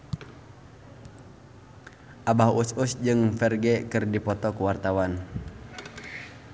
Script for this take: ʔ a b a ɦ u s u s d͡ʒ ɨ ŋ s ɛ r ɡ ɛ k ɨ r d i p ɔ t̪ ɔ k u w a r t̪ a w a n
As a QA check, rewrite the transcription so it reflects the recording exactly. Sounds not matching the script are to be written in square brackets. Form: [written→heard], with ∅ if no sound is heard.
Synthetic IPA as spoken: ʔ a b a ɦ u s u s d͡ʒ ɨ ŋ [s→f] ɛ r ɡ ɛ k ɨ r d i p ɔ t̪ ɔ k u w a r t̪ a w a n